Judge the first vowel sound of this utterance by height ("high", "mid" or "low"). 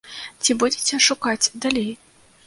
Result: high